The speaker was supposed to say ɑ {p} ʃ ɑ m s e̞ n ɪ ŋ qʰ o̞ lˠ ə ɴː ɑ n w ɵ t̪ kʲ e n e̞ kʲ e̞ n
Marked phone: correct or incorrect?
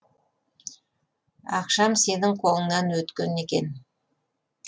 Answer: incorrect